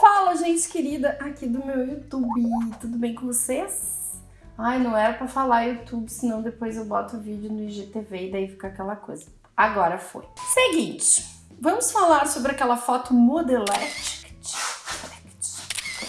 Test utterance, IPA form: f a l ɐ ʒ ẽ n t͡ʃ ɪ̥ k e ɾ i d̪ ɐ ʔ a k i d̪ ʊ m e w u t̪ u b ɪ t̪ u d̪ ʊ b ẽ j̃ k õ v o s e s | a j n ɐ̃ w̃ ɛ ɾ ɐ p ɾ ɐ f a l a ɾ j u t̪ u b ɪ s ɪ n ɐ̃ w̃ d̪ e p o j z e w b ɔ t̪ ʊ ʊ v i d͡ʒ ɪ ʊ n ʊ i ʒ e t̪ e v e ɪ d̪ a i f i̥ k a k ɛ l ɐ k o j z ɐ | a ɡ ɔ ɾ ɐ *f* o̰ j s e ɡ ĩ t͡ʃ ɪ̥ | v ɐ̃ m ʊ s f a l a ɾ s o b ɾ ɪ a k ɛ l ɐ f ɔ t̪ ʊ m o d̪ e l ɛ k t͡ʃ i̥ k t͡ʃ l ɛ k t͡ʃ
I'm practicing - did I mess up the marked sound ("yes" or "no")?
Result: no